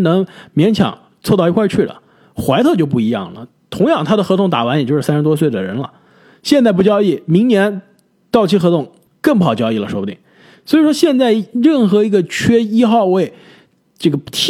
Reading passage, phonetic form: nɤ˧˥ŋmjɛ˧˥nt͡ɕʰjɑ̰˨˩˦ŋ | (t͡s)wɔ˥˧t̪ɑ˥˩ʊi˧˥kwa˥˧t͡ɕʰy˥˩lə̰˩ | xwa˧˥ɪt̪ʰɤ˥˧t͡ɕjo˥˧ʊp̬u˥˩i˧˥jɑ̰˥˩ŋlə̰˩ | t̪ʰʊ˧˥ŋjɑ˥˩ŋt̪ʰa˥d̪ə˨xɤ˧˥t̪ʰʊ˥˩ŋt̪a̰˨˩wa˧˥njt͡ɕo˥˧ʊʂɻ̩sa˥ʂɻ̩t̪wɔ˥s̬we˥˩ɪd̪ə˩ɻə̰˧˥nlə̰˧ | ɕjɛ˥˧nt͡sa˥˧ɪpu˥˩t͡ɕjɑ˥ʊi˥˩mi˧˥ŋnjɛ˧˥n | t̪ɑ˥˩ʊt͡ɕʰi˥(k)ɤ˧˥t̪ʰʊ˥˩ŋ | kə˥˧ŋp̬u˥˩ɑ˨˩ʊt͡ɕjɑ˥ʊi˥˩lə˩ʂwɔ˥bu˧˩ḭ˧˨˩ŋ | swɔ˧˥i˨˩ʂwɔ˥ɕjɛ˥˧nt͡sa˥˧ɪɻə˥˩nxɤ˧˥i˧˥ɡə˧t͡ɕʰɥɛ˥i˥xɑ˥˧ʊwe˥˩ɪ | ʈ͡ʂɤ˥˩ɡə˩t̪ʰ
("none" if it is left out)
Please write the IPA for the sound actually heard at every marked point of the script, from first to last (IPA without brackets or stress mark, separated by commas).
t͡sʰ, x